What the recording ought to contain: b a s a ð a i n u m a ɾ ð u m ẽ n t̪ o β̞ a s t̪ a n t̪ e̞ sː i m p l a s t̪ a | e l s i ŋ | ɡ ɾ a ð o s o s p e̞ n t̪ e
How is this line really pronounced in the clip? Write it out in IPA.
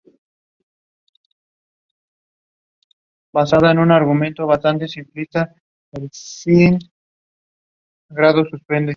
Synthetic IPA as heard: b a s a ð a e n u n a ɾ ɣ u m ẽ n t̪ o β̞ a s t̪ a n t̪ e̞ s i m p l i s t̪ a | e l s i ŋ | ɡ ɾ a ð o s u s p e̞ n d̪ e